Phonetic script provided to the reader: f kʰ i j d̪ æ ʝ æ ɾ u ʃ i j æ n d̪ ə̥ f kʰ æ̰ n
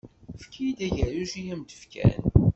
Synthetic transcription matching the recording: f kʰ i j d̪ æ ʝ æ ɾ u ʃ i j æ m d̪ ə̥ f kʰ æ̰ n